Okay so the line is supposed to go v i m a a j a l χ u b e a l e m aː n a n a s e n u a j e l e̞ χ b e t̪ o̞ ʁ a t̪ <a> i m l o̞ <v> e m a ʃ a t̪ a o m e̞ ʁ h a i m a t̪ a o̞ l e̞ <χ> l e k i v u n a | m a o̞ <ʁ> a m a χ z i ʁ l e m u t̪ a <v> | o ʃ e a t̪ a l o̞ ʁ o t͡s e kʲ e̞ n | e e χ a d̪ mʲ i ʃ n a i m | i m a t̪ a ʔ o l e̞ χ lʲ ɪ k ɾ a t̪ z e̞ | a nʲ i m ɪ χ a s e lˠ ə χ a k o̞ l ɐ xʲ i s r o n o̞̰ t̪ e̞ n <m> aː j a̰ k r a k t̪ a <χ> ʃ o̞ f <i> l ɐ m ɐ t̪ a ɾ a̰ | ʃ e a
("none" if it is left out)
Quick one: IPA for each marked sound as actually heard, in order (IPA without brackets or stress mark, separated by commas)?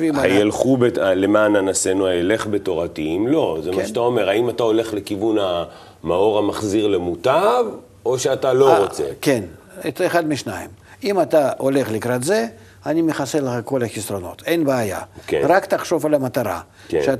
i, z, χ, ʁ, v, b, χ, a